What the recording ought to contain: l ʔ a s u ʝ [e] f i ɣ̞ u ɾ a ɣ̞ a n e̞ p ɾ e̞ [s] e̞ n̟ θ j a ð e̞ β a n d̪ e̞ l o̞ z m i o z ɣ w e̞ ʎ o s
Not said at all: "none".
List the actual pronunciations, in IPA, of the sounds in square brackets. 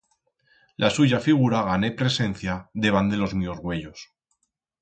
a, s

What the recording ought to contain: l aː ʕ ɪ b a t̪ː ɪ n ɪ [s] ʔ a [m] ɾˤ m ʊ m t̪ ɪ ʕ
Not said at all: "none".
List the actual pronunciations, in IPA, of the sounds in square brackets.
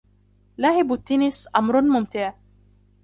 s, m

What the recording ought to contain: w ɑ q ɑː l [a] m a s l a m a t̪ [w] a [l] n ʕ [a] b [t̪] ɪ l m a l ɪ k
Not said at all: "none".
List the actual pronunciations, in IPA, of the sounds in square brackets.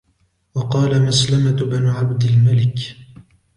a, b, none, a, d̪

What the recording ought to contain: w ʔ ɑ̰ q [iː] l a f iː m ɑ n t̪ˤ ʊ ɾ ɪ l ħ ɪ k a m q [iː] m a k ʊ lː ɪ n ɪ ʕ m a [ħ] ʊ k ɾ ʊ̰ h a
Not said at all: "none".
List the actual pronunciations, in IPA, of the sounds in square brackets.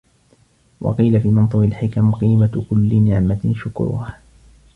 iː, iː, ʃ

